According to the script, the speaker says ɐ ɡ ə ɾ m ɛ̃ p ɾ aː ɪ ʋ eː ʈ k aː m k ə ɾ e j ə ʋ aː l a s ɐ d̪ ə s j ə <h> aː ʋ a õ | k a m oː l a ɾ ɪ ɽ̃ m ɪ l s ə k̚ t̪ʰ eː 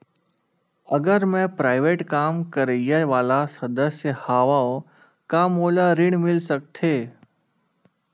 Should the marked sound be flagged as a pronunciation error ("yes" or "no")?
no